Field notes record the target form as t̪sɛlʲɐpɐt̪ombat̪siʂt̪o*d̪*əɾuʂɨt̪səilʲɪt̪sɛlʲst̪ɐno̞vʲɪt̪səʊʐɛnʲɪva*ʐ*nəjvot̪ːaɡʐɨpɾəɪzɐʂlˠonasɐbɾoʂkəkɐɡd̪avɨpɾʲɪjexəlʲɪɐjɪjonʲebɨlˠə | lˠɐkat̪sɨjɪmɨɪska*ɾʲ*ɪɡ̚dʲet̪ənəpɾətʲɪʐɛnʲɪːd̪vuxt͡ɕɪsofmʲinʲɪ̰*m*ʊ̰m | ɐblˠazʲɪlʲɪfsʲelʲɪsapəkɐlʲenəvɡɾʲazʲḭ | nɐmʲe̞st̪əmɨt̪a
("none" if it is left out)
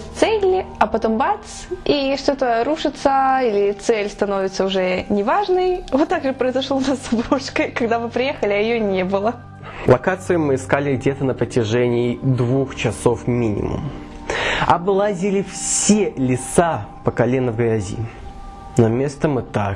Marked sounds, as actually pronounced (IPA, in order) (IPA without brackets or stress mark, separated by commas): t̪, ʐ, lʲ, m